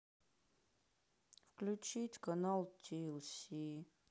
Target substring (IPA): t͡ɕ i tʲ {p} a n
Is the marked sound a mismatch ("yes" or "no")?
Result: yes